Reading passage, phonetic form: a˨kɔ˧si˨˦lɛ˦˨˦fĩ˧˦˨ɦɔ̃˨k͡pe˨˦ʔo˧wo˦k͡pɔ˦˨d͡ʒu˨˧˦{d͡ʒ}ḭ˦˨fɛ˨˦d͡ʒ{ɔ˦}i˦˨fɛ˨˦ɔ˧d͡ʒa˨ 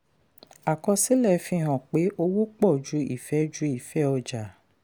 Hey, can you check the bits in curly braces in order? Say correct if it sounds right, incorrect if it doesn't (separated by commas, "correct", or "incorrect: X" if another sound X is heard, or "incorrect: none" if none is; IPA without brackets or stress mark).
incorrect: none, incorrect: u˦